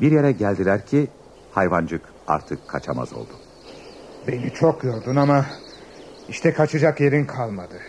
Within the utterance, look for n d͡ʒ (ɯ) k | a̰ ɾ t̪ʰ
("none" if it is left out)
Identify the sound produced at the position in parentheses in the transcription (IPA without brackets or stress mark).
ɯ